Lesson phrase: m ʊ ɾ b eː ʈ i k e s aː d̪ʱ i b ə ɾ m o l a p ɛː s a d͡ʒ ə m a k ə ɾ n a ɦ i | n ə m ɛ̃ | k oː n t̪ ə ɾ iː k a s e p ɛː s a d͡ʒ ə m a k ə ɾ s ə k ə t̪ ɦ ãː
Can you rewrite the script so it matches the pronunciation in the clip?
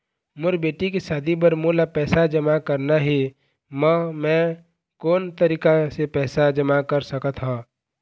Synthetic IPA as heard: m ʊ ɾ b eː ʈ i k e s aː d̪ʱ i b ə ɾ m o l a p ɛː s a d͡ʒ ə m a k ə ɾ n a ɦ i | m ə m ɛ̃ | k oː n t̪ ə ɾ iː k a s e p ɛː s a d͡ʒ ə m a k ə ɾ s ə k ə t̪ ɦ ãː